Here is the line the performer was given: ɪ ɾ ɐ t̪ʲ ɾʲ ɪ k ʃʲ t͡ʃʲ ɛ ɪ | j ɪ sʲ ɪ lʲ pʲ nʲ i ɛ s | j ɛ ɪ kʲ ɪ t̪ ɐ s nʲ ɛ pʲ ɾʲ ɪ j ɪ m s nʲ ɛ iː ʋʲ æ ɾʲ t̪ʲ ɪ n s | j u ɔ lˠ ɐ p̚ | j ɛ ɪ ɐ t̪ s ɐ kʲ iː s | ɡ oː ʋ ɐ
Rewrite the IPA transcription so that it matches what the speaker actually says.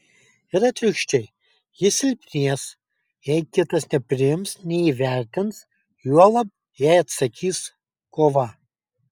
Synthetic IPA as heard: ɪ ɾ ɐ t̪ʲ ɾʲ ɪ k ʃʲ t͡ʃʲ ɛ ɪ | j ɪ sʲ ɪ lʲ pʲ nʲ i ɛ s | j ɛ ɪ kʲ ɪ t̪ ɐ s nʲ ɛ pʲ ɾʲ ɪ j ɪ m s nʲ ɛ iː ʋʲ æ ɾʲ t̪ʲ ɪ n s | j u ɔ lˠ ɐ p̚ | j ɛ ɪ ɐ t̪ s ɐ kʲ iː s | k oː ʋ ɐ

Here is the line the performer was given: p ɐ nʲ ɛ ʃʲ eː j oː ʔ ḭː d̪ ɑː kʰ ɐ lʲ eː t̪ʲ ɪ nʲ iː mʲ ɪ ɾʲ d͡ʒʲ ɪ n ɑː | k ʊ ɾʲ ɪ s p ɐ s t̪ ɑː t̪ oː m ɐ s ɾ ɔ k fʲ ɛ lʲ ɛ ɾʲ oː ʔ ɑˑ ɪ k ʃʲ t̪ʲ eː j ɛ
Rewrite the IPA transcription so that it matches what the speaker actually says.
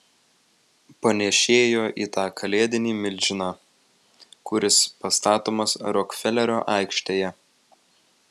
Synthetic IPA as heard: p ɐ nʲ ɛ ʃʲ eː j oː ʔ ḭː t̪ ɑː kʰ ɐ lʲ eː d̪ʲ ɪ nʲ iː mʲ ɪ lʲ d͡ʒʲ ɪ n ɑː | k ʊ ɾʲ ɪ s p ɐ s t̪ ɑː t̪ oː m ɐ s ɾ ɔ k fʲ ɛ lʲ ɛ ɾʲ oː ʔ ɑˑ ɪ k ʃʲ t̪ʲ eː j ɛ

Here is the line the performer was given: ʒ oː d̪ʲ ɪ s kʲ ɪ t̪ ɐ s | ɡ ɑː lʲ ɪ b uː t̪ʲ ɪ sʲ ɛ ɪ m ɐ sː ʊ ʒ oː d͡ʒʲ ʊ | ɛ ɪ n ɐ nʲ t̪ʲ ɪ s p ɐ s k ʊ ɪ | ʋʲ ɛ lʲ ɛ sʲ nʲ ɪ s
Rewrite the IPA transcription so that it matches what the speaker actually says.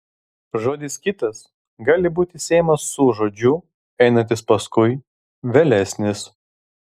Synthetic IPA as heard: ʒ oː d̪ʲ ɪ s kʲ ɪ t̪ ɐ s | ɡ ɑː lʲ ɪ b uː t̪ʲ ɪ sʲ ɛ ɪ m ɐ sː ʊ ʒ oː d͡ʒʲ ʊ | ɛ ɪ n ɐ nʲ t̪ʲ ɪ s p ɐ s k ʊ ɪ | ʋʲ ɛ lʲ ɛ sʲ nʲ ɪ s

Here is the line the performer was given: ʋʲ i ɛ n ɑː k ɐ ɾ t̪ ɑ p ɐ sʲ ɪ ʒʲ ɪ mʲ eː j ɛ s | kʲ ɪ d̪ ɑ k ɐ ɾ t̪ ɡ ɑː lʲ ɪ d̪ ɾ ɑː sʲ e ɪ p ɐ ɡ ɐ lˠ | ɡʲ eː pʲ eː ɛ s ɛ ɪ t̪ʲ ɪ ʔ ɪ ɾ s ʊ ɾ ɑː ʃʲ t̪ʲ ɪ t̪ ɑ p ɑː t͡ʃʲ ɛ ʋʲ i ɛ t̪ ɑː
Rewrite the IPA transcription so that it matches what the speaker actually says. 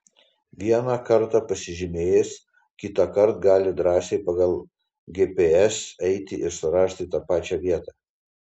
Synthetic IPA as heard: ʋʲ i ɛ n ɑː k ɐ ɾ t̪ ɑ p ɐ sʲ ɪ ʒʲ ɪ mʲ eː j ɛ s | kʲ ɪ t̪ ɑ k ɐ ɾ t̪ ɡ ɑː lʲ ɪ d̪ ɾ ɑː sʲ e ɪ p ɐ ɡ ɐ lˠ | ɡʲ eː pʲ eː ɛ s ɛ ɪ t̪ʲ ɪ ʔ ɪ ɾ s ʊ ɾ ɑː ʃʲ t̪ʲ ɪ t̪ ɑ p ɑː t͡ʃʲ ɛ ʋʲ i ɛ t̪ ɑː

